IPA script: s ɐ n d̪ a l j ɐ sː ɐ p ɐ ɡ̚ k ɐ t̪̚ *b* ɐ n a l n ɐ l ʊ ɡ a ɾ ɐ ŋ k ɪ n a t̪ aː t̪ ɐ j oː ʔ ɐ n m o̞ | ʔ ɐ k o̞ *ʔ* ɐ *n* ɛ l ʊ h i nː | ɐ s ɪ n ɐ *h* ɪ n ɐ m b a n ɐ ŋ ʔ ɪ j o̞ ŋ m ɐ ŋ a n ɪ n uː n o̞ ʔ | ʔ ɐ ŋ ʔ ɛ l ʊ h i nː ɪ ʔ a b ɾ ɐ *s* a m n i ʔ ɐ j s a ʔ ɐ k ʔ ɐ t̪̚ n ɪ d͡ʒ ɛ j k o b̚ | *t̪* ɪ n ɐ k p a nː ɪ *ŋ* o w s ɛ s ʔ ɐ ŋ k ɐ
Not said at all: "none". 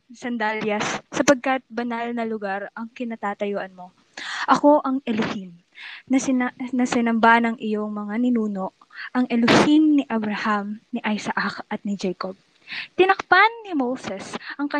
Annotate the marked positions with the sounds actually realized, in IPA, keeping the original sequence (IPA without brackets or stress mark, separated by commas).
b, ʔ, ŋ, s, h, t̪, m